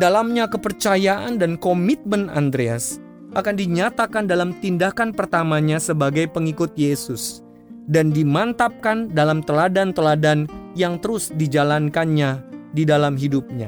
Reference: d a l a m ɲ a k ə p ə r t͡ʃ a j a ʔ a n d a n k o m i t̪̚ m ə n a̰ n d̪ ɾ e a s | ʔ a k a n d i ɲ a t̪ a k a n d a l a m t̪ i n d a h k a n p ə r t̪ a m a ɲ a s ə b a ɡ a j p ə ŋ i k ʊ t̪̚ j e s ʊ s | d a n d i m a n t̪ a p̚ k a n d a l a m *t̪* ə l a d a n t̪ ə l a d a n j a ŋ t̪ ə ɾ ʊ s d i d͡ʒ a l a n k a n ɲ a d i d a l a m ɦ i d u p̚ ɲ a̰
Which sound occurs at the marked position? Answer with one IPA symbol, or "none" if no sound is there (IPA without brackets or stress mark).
t̪